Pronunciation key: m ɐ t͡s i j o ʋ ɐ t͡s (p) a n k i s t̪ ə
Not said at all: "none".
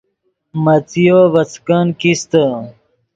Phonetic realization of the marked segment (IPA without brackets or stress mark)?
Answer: k